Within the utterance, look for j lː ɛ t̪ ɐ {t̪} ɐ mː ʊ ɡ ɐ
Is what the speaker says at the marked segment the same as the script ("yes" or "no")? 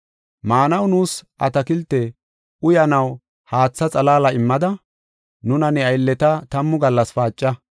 yes